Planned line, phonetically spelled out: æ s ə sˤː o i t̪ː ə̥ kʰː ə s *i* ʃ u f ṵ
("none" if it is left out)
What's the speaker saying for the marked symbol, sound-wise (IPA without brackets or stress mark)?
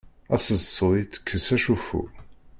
æ